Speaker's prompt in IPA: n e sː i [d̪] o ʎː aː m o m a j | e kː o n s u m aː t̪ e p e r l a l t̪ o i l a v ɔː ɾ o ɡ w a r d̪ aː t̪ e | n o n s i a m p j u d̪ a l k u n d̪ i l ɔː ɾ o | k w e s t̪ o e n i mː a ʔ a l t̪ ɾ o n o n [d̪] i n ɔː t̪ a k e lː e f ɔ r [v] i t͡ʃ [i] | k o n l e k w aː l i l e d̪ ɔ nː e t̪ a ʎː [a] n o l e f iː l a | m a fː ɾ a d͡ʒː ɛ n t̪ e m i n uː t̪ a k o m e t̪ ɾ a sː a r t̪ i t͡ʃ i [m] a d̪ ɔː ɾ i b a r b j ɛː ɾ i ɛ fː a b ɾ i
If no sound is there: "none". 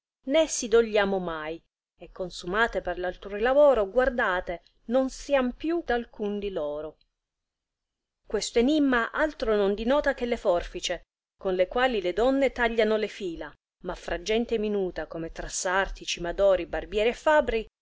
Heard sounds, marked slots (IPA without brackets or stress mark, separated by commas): d̪, d̪, f, e, a, m